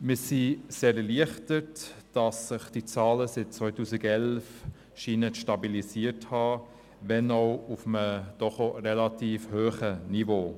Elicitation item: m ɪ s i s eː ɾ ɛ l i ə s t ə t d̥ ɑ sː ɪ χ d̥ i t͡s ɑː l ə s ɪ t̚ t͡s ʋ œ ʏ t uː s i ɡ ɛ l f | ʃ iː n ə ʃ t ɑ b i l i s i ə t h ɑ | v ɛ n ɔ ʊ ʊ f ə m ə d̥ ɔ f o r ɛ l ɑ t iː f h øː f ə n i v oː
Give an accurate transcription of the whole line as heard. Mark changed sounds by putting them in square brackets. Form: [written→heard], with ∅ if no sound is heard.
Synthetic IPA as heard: m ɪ s i s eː ɾ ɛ l i ə [s→χ] t ə t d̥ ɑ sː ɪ χ d̥ i t͡s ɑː l ə s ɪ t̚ t͡s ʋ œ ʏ t uː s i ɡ ɛ l f | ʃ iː n ə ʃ t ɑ b i l i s i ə t h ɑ | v ɛ n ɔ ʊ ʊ f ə m ə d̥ ɔ [f→χ] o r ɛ l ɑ t iː f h øː [f→χ] ə n i v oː